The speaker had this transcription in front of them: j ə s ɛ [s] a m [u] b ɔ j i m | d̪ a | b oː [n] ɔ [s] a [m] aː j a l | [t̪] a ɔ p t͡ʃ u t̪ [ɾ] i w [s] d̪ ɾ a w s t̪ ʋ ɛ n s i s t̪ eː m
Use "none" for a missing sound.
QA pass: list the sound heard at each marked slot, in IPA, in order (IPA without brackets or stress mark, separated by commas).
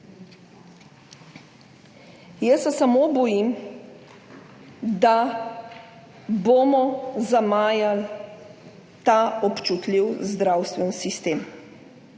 s, o, m, z, m, t̪, l, z